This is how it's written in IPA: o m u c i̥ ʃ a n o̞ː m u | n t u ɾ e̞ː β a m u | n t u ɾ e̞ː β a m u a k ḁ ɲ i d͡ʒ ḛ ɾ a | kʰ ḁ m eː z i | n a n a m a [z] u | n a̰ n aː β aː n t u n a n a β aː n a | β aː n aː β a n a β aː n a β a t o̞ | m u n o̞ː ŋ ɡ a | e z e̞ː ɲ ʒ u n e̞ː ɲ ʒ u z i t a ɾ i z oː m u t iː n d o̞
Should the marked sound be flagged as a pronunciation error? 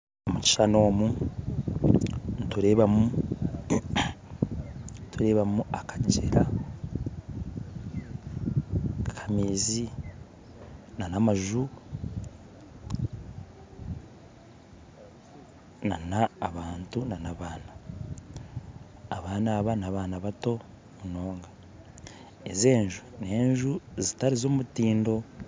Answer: yes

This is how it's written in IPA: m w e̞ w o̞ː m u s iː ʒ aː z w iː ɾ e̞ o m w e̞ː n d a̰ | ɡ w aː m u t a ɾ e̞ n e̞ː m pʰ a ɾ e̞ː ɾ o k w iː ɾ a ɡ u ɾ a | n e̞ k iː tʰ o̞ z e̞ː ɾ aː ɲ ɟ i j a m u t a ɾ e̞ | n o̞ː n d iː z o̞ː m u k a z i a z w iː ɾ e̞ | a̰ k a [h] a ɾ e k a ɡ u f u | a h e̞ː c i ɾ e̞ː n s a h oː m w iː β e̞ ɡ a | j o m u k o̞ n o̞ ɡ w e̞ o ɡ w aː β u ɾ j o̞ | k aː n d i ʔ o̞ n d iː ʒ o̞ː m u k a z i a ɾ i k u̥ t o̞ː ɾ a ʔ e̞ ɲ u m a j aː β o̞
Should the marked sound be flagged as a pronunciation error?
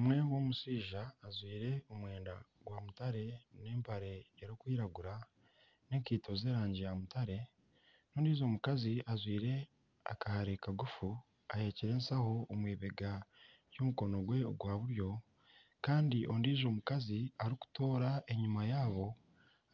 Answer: no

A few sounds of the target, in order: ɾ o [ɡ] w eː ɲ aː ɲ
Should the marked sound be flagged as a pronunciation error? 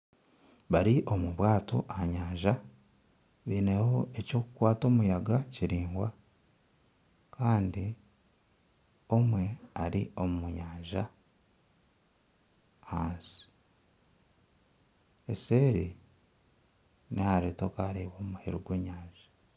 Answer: no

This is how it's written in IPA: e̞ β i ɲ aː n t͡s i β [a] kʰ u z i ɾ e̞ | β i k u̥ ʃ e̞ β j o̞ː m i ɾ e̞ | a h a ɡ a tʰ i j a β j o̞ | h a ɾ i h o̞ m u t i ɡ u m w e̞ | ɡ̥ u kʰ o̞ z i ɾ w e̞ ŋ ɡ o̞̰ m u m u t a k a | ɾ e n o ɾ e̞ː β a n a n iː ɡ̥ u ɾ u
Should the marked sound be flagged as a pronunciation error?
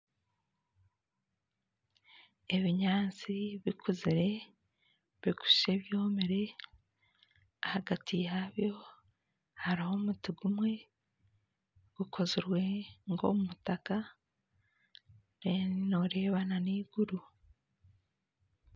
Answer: yes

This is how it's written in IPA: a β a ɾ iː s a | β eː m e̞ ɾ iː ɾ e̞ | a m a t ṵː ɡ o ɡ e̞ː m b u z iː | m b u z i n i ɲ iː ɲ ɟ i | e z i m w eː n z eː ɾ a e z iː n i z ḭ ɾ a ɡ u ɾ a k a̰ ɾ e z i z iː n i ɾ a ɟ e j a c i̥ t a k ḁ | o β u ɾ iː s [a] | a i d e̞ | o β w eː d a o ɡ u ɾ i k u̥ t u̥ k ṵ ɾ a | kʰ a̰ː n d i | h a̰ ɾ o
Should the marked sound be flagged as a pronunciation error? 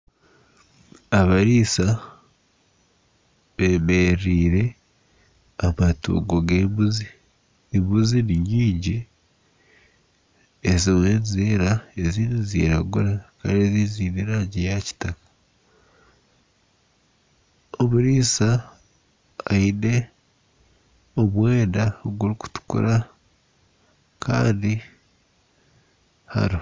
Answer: no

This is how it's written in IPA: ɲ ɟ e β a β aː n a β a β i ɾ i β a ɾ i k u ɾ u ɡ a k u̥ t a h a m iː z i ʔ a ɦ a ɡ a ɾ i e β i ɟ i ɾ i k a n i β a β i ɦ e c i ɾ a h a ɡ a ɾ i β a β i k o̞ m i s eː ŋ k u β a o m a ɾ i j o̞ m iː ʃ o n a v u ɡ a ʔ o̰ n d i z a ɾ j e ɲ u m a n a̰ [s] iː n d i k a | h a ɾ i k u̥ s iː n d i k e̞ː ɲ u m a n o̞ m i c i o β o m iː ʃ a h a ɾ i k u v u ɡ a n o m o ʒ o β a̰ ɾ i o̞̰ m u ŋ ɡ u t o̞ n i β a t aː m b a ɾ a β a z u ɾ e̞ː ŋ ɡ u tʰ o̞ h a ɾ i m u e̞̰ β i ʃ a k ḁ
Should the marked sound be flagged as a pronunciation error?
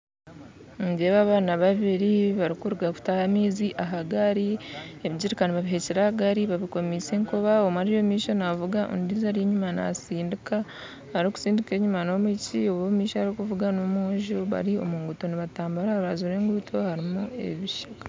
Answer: no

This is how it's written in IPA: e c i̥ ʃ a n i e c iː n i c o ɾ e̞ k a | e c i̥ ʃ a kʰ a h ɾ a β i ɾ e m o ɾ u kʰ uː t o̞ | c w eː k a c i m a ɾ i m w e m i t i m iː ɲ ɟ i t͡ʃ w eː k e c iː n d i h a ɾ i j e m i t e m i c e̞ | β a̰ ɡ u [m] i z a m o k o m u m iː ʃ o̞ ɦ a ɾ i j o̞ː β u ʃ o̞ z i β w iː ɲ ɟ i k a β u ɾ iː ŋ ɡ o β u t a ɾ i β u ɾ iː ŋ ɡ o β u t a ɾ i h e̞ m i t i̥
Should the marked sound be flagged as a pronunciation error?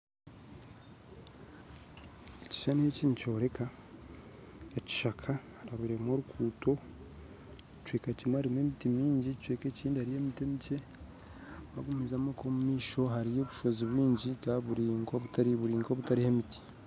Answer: no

